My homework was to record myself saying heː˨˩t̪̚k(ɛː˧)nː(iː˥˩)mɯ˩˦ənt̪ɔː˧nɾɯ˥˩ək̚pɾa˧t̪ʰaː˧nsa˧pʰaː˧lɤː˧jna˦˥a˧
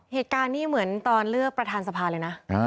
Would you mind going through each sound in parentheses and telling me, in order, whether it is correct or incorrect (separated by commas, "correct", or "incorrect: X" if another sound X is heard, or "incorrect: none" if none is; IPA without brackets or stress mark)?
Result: incorrect: aː˧, correct